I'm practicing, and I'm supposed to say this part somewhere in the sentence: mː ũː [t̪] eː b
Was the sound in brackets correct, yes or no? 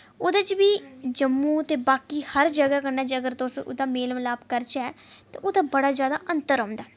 yes